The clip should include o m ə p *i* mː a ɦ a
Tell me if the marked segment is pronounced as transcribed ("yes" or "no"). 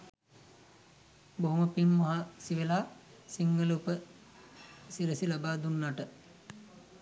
yes